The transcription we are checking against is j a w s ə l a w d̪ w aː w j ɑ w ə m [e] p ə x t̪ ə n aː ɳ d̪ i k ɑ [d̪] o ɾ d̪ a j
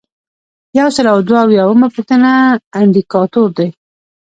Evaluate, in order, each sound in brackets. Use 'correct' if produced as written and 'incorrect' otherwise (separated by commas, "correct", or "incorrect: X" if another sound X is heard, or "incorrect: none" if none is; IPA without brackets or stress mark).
incorrect: a, incorrect: t̪